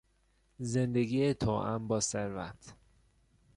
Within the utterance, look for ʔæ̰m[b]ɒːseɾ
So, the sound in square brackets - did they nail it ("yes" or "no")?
yes